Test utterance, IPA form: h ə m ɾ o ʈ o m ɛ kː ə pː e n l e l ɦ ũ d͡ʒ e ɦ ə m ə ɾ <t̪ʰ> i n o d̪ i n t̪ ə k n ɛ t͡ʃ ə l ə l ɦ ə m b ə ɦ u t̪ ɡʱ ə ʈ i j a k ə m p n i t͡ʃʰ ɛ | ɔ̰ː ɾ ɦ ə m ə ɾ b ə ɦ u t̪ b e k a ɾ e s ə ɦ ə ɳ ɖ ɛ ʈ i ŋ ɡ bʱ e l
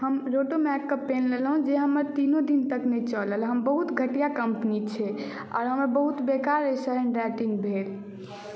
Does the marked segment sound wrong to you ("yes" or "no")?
yes